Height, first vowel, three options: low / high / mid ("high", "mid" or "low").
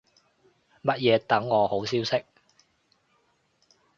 low